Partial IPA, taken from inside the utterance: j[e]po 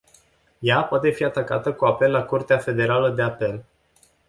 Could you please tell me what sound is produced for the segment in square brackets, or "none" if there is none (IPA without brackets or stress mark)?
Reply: a